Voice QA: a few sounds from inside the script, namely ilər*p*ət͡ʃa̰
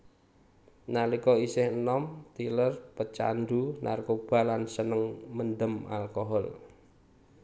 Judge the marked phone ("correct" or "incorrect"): correct